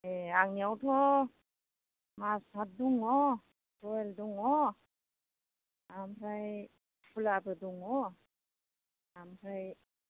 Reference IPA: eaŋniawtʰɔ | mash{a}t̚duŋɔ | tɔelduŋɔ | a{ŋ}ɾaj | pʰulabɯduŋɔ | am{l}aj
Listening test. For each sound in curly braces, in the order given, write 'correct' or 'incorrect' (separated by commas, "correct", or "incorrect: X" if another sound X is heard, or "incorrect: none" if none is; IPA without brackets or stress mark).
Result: correct, incorrect: m, incorrect: ɾ